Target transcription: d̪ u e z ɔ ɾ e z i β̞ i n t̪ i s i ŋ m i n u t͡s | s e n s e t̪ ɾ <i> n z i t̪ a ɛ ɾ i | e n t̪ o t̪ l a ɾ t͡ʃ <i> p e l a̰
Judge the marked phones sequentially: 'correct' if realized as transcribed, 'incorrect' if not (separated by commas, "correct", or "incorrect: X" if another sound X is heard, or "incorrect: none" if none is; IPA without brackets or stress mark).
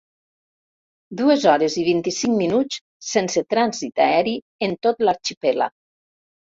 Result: incorrect: a, correct